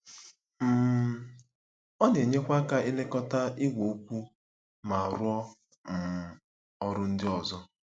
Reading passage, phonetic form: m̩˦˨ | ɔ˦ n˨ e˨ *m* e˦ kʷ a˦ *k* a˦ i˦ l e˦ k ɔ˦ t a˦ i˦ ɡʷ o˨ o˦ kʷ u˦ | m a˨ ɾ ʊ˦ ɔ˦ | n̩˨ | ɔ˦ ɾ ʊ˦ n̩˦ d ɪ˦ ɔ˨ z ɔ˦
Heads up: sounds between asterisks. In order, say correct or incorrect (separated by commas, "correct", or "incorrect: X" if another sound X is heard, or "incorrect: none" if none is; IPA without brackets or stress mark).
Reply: incorrect: ɲ, correct